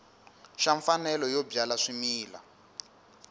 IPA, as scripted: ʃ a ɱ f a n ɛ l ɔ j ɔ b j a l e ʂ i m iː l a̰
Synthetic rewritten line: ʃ a ɱ f a n ɛ l ɔ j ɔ b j a l a ʂ i m iː l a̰